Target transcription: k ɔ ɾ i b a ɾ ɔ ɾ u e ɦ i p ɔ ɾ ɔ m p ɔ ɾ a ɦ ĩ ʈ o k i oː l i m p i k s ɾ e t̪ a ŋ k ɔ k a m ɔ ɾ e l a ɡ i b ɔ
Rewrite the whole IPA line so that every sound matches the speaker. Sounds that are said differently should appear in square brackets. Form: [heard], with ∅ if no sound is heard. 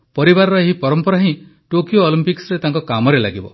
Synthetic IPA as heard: [p] ɔ ɾ i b a ɾ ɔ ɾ [ɔ] e ɦ i p ɔ ɾ ɔ m p ɔ ɾ a ɦ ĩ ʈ o k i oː l i m p i k s ɾ e t̪ a ŋ k ɔ k a m ɔ ɾ e l a ɡ i b ɔ